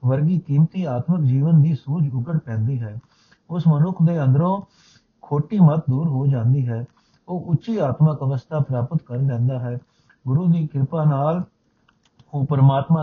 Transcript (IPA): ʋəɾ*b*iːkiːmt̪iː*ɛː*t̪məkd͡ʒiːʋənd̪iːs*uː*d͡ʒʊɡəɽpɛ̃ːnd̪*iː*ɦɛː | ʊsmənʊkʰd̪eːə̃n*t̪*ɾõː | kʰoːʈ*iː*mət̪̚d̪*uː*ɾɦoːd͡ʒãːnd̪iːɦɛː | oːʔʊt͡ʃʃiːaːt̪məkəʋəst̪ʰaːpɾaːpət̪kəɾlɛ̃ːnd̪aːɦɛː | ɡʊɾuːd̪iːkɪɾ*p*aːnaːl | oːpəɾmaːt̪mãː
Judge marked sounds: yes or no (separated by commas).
no, no, yes, yes, no, yes, yes, yes